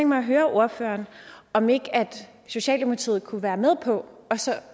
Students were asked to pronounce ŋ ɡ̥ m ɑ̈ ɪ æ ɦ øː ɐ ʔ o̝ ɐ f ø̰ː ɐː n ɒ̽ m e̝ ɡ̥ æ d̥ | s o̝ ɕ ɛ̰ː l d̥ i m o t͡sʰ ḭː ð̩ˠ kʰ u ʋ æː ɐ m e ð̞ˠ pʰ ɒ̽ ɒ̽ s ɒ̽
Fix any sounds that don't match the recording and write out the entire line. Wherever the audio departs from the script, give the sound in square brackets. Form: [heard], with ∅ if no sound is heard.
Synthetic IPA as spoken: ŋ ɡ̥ m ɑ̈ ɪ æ ɦ øː ɐ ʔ o̝ ɐ f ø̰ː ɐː n ɒ̽ m e̝ ɡ̥ æ d̥ | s o̝ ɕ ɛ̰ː l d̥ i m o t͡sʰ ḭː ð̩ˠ kʰ u ʋ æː ɐ m e ð̞ˠ pʰ ɒ̽ ɒ̽ s ɒ̽